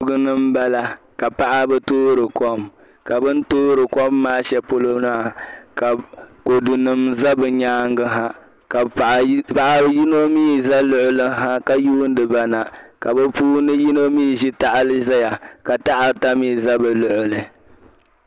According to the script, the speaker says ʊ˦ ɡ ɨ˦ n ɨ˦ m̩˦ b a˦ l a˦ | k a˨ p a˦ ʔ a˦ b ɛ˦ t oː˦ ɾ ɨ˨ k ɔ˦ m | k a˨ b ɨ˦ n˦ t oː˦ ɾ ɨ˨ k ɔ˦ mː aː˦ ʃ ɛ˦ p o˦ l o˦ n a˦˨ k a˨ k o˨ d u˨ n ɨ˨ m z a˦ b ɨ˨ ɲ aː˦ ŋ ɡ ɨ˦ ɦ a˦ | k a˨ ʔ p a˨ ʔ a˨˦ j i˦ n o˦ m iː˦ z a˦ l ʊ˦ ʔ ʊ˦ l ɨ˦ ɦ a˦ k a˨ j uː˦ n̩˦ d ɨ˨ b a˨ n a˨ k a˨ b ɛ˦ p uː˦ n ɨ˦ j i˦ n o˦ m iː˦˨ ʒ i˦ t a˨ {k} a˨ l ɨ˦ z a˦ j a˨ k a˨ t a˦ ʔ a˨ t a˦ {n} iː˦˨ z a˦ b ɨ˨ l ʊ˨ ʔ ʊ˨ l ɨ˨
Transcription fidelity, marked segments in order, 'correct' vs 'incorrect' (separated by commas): incorrect, incorrect